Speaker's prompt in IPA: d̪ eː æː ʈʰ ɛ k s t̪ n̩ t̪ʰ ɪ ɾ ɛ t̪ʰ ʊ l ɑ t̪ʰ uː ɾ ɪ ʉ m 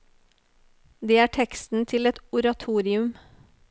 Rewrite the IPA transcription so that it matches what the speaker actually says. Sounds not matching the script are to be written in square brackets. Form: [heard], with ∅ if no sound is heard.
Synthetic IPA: d̪ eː æː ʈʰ ɛ k s t̪ n̩ t̪ʰ ɪ [l] ɛ [t̪] ʊ [ɾ] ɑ t̪ʰ uː ɾ ɪ ʉ m